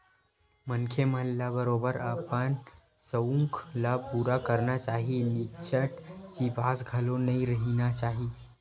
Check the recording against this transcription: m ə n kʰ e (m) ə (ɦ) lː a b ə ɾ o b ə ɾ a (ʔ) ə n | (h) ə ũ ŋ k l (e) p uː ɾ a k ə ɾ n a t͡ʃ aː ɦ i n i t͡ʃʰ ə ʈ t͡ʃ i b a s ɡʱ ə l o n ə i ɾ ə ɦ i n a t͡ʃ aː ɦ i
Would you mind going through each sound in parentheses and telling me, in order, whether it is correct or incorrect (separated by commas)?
correct, correct, incorrect, incorrect, incorrect